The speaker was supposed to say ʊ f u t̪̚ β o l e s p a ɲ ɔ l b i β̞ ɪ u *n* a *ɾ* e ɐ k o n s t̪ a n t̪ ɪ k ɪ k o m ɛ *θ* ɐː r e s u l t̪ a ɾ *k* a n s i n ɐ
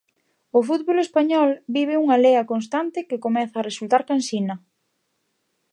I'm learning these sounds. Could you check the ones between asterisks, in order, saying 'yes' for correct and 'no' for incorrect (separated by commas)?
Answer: no, no, yes, yes